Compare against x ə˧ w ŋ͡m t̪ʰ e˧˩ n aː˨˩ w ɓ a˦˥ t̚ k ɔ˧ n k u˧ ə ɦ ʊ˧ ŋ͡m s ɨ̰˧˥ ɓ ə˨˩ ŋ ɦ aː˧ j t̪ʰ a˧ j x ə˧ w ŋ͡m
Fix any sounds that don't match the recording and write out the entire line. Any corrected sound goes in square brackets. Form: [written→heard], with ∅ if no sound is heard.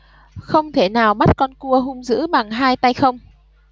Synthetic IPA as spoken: x ə˧ w ŋ͡m t̪ʰ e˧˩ n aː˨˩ w ɓ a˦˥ t̚ k ɔ˧ n k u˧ ə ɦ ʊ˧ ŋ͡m [s→z] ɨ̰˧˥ ɓ [ə˨˩→a˨˩] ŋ ɦ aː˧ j [t̪ʰ→t̪] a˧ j x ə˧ w ŋ͡m